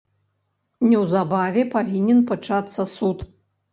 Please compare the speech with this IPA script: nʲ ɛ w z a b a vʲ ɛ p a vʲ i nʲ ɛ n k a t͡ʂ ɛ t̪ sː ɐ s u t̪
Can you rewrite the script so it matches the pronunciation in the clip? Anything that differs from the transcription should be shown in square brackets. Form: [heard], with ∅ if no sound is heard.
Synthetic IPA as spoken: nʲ ɛ w z a b a vʲ ɛ p a vʲ i nʲ ɛ n [p] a t͡ʂ [a] t̪ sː ɐ s u t̪